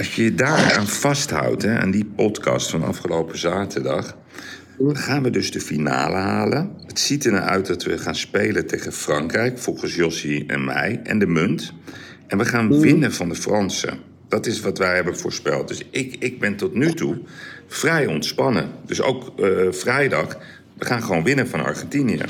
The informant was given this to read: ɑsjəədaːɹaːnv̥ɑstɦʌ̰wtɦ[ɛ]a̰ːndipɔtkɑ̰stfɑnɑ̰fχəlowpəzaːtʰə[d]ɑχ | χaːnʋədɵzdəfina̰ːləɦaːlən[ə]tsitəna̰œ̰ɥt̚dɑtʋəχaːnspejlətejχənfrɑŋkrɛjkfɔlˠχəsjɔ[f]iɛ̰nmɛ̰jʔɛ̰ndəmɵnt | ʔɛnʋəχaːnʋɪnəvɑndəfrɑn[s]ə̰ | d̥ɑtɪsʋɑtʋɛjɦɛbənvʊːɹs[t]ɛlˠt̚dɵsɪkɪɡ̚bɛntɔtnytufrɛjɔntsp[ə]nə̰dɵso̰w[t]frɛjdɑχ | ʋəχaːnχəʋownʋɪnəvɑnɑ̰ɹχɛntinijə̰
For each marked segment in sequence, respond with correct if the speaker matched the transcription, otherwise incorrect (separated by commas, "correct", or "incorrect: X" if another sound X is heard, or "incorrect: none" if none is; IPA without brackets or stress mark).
correct, correct, correct, incorrect: s, correct, incorrect: p, incorrect: ɑ, incorrect: k